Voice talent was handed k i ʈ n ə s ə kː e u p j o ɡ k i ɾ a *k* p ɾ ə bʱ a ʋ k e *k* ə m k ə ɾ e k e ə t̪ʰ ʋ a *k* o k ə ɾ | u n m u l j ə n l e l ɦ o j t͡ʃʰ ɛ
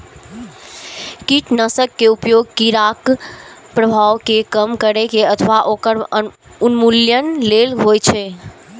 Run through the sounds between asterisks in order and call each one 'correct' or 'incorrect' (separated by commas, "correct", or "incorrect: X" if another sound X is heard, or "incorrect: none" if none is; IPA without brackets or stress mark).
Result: correct, correct, incorrect: ʔ